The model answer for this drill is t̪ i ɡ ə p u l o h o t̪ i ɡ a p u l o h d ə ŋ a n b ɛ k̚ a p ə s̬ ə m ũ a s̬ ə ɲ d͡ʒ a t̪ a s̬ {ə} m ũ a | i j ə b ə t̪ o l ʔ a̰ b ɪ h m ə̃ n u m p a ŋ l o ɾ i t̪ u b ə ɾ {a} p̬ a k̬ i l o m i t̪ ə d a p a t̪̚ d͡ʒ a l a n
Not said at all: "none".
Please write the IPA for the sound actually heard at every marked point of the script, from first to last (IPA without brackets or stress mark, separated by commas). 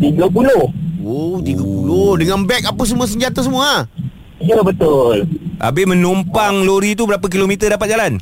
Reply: ə, a